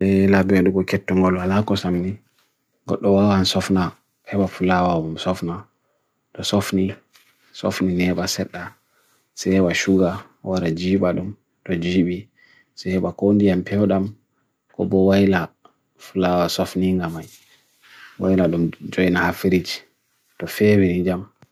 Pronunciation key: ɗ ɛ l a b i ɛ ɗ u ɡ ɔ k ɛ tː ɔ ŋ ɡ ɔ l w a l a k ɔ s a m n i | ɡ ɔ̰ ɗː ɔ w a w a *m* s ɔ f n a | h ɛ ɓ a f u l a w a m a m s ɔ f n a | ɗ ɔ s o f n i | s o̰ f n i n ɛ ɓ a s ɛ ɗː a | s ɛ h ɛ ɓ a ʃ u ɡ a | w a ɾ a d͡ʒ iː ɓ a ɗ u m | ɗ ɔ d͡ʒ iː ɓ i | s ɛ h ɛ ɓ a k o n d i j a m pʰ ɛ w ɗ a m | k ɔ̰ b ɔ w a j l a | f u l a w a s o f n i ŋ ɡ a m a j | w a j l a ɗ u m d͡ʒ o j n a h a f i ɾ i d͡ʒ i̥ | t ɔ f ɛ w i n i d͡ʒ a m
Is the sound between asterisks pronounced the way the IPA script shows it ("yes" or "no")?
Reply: no